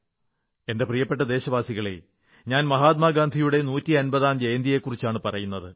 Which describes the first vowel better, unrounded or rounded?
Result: unrounded